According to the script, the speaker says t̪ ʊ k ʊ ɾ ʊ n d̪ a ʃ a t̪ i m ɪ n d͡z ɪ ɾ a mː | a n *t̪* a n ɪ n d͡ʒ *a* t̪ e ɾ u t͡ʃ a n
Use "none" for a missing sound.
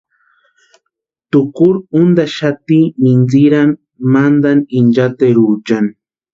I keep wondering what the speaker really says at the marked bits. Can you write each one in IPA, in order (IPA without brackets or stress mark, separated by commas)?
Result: d̪, a